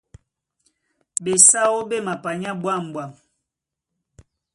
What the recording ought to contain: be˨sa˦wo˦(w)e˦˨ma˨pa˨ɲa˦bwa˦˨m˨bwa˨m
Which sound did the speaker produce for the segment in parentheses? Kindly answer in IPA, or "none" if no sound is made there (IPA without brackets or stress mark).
b